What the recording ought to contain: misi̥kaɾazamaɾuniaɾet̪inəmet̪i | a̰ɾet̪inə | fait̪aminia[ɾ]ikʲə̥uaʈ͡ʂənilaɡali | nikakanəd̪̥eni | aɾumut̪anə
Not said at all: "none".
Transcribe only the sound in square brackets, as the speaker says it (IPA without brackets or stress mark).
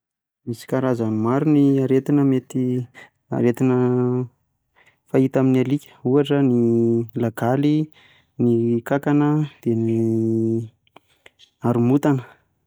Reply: l